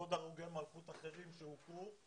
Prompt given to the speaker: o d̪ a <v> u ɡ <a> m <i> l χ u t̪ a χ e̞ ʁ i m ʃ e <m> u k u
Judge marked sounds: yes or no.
no, no, no, no

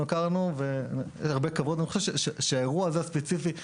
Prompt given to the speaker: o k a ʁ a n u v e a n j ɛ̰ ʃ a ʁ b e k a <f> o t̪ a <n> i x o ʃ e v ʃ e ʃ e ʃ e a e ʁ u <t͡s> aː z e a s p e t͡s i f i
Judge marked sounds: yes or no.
no, yes, no

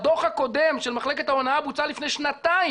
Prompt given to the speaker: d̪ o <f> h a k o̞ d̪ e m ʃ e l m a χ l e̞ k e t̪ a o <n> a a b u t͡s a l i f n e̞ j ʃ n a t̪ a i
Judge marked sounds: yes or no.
no, yes

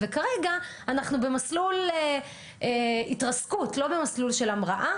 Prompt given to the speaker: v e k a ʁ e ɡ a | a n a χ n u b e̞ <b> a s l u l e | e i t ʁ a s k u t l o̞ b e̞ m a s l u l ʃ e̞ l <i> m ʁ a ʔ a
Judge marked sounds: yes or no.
no, no

